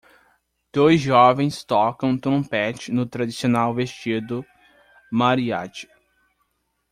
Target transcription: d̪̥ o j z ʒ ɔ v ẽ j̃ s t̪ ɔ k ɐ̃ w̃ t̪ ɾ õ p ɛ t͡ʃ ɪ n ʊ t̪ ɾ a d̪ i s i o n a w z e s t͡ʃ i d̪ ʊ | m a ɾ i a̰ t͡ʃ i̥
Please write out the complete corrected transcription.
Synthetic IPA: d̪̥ o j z ʒ ɔ v ẽ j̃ s t̪ ɔ k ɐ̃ w̃ t̪ ɾ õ p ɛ t͡ʃ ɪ n ʊ t̪ ɾ a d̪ i s i o n a w v e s t͡ʃ i d̪ ʊ | m a ɾ i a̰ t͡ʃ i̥